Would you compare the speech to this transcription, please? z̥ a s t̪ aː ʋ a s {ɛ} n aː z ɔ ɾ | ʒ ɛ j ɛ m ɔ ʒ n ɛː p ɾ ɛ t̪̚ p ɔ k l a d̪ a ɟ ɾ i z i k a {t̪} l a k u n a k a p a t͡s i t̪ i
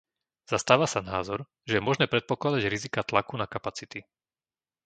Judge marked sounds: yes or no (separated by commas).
no, yes